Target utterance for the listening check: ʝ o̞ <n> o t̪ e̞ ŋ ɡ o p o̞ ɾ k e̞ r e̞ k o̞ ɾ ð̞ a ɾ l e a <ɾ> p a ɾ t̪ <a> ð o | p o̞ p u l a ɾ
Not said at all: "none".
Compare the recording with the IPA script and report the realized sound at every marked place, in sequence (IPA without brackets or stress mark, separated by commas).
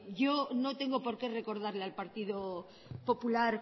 n, l, i